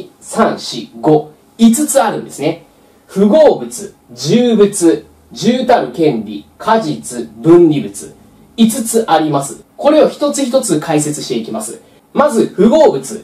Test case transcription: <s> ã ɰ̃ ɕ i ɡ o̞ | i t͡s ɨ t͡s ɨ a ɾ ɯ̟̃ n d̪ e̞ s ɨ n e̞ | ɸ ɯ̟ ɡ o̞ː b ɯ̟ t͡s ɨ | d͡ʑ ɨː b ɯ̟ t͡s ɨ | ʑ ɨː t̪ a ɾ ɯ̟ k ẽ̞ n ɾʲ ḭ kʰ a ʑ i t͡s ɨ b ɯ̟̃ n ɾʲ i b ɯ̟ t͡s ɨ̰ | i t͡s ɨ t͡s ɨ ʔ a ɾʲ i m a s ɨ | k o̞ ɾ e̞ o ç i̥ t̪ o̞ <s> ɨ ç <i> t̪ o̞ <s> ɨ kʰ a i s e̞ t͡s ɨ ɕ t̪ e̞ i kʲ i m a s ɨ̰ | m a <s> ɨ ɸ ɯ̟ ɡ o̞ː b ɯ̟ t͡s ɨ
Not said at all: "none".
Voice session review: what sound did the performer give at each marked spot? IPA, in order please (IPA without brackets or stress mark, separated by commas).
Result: s, t͡s, i, t͡s, z